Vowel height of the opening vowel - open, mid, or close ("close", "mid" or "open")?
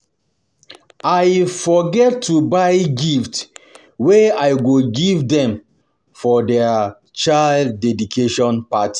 open